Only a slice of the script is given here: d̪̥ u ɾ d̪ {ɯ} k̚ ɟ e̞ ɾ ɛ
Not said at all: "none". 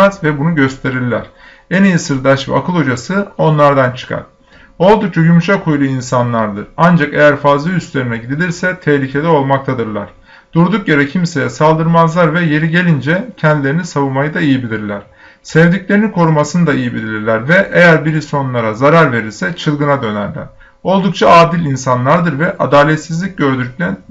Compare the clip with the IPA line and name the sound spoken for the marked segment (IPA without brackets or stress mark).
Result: u